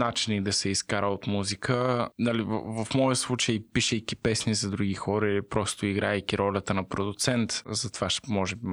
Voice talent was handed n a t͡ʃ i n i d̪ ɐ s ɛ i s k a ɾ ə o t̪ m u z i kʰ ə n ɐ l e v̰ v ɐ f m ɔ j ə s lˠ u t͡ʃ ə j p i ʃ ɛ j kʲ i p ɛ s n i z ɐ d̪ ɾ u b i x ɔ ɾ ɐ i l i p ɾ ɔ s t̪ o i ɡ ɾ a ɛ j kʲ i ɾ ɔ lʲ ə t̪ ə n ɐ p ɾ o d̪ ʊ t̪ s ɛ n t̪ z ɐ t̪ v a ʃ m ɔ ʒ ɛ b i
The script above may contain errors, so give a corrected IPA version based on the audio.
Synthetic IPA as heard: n a t͡ʃ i n i d̪ ɐ s ɛ i s k a ɾ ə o t̪ m u z i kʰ ə n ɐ l i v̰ v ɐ f m ɔ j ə s lˠ u t͡ʃ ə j p i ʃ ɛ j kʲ i p ɛ s n i z ɐ d̪ ɾ u ɡ i x ɔ ɾ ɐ i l i p ɾ ɔ s t̪ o i ɡ ɾ a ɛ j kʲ i ɾ ɔ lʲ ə t̪ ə n ɐ p ɾ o d̪ ʊ t̪ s ɛ n t̪ z ɐ t̪ v a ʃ m ɔ ʒ ɛ b i